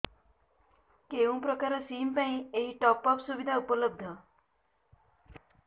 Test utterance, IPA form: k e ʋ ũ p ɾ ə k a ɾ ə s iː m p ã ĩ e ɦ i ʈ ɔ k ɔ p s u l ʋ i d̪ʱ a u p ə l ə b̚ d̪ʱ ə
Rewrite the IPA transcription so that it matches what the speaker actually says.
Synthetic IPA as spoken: k e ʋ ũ p ɾ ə k a ɾ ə s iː m p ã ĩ e ɦ i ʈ ɔ p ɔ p s u ʋ i d̪ʱ a u p ə l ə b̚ d̪ʱ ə